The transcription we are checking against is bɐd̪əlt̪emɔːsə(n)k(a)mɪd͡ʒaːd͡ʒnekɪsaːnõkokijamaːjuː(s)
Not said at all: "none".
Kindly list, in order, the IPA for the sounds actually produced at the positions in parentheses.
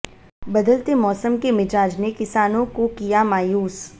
m, e, s

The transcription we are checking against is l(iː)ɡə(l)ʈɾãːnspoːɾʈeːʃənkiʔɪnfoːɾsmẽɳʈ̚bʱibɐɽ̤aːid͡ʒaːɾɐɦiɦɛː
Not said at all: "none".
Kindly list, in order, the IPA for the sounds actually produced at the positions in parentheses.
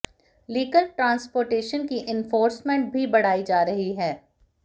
iː, l

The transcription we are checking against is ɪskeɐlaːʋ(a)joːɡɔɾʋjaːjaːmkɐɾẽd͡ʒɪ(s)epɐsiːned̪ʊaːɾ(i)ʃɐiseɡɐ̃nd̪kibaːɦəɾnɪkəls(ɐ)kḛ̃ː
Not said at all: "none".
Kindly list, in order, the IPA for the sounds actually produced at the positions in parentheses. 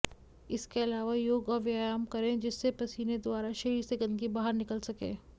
a, sː, a, ɐ

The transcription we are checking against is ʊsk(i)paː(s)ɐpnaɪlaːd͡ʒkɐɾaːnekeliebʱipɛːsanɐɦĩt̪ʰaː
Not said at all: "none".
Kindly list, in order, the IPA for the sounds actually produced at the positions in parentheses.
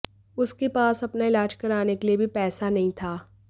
e, s

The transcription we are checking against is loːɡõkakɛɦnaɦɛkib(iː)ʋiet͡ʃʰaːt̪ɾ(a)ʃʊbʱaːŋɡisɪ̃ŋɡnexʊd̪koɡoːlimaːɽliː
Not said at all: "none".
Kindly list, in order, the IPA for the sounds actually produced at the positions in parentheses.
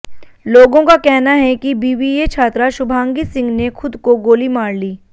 iː, a

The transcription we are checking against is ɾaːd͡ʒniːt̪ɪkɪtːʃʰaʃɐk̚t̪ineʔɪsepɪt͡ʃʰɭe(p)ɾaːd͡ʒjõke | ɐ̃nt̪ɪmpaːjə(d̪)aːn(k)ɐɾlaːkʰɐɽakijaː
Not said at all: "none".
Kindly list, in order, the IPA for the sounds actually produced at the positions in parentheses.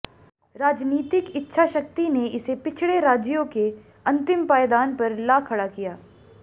none, d̪, p

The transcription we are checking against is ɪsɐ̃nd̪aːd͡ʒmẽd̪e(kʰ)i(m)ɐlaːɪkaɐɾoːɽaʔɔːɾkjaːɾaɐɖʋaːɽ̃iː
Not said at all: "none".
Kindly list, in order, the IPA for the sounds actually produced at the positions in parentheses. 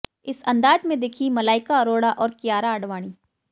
kʰ, m

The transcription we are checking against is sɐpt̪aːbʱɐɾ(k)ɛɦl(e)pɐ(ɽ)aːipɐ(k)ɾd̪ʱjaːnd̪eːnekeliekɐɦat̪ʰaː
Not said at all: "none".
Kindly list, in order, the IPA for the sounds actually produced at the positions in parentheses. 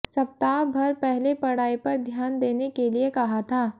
p, e, ɽ, none

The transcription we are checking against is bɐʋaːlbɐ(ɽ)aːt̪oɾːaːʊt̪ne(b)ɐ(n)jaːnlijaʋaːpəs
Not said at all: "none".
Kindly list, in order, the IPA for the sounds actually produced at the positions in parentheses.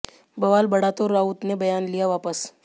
ɽ, b, none

